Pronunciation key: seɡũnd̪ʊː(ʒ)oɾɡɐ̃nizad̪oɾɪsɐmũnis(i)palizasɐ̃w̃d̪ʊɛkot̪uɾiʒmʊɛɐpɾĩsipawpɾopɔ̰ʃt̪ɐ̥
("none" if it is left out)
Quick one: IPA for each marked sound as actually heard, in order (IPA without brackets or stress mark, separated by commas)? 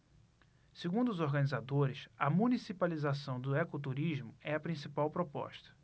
z, i